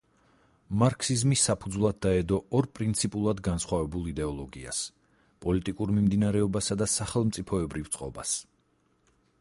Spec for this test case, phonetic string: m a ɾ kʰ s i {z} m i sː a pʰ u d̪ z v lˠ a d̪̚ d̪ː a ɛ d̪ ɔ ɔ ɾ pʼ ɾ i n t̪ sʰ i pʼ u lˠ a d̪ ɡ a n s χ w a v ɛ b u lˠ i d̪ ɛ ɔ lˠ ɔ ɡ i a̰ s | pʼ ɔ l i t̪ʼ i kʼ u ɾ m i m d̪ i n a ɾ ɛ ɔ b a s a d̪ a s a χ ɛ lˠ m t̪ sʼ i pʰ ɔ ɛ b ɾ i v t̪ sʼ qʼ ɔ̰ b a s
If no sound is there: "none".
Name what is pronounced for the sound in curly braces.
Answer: z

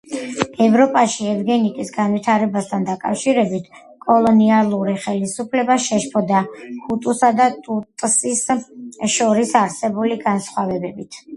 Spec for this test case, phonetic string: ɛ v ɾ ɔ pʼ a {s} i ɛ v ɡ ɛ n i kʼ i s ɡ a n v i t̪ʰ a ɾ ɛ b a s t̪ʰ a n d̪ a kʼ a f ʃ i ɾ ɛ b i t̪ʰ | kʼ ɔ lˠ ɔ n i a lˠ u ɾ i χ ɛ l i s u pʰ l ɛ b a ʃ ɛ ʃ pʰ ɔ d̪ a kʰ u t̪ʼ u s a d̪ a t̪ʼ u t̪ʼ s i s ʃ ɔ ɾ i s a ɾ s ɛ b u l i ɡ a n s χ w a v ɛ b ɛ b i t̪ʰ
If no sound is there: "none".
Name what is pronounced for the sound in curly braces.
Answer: ʃ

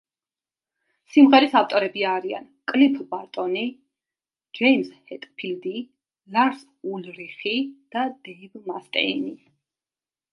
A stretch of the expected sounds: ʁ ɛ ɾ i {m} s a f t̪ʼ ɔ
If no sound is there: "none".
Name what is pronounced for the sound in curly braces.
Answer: none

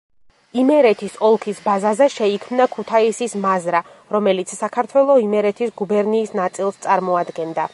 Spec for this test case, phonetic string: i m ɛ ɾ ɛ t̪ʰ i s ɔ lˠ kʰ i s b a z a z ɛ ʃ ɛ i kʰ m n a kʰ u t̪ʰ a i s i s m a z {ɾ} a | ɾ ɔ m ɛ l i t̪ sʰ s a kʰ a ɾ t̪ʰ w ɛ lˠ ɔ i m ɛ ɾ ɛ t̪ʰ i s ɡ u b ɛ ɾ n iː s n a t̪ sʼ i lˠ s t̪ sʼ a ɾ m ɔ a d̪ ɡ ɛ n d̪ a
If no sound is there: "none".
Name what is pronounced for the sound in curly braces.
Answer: ɾ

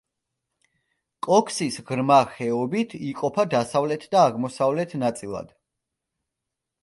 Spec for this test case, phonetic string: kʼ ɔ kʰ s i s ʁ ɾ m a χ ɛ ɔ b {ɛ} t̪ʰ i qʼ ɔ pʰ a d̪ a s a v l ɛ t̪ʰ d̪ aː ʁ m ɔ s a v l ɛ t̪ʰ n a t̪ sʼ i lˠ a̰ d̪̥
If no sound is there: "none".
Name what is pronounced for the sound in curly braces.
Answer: i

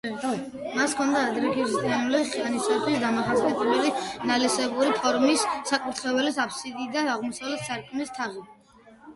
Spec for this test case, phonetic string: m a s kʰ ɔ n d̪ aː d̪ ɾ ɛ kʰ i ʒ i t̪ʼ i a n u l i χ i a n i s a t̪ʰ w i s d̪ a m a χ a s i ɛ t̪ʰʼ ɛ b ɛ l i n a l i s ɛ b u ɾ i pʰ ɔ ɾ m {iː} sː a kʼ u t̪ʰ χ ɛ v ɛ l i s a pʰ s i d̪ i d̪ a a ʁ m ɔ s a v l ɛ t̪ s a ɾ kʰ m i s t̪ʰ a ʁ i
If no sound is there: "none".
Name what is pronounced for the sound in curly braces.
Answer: i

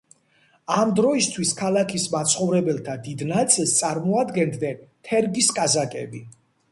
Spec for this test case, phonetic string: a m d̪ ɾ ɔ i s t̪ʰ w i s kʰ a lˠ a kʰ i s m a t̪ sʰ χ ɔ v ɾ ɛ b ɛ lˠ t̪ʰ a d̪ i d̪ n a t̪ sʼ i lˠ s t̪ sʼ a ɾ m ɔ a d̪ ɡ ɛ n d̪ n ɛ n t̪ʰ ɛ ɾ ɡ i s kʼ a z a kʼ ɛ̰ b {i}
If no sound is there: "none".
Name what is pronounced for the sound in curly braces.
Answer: i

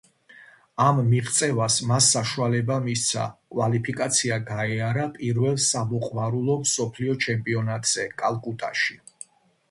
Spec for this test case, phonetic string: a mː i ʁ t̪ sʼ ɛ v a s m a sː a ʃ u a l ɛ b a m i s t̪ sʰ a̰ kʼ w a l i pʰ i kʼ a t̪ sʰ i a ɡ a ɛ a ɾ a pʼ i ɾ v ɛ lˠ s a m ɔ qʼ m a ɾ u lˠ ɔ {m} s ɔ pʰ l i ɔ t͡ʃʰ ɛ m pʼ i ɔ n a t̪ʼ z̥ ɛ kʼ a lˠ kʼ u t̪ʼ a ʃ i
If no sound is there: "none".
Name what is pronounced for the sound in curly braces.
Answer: m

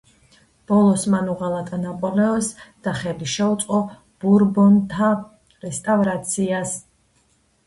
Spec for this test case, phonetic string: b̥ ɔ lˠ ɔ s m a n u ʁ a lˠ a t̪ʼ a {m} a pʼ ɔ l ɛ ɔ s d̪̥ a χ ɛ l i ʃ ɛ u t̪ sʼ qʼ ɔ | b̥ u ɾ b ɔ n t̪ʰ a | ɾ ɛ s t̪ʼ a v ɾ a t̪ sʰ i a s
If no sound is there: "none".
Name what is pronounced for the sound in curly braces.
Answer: n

